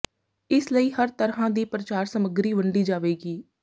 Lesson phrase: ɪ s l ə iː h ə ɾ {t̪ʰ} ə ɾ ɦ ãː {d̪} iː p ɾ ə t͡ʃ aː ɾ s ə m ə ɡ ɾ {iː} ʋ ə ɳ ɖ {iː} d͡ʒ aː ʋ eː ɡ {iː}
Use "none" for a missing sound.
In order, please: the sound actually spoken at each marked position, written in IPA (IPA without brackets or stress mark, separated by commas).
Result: t̪, d̪, iː, iː, iː